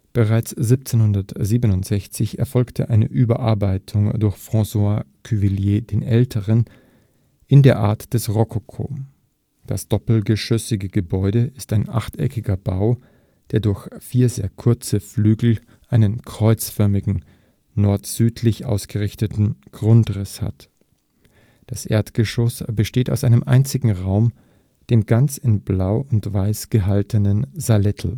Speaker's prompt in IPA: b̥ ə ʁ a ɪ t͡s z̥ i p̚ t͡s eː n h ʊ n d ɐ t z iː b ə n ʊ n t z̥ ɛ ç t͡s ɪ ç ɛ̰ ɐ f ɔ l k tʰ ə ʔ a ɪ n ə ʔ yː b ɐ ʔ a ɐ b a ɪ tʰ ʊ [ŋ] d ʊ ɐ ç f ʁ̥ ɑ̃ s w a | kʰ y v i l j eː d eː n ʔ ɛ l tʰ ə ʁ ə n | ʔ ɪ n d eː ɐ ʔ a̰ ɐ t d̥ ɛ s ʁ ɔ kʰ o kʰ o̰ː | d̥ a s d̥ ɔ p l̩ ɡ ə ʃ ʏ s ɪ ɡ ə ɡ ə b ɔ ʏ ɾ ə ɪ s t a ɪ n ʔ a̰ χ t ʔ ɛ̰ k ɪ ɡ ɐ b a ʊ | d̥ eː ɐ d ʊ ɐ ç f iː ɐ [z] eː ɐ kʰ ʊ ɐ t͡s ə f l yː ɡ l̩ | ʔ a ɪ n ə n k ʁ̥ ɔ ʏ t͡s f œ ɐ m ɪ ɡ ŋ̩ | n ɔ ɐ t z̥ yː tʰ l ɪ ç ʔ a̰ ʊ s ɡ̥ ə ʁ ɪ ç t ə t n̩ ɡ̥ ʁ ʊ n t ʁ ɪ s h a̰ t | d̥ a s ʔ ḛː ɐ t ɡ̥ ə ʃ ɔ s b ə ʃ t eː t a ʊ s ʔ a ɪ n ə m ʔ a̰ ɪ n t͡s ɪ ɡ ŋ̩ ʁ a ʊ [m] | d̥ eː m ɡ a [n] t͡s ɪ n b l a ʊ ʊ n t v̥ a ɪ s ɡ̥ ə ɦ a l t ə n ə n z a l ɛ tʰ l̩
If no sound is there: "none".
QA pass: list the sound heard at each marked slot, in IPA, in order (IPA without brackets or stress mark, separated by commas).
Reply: ŋ, z, m, n